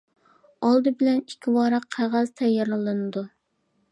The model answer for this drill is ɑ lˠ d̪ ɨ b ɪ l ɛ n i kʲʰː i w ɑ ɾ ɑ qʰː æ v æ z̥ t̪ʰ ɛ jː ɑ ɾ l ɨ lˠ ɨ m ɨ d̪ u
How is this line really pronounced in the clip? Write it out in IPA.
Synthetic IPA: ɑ lˠ d̪ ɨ b ɪ l ɛ n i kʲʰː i w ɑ ɾ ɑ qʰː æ ʁ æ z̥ t̪ʰ ɛ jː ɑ ɾ l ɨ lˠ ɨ n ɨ d̪ u